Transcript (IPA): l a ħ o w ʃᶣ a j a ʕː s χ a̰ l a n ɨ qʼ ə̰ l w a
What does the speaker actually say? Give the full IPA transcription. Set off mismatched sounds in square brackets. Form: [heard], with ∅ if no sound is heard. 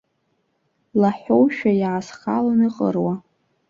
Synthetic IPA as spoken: l a ħ o w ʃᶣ a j a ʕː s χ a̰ l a n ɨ qʼ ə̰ [r] w a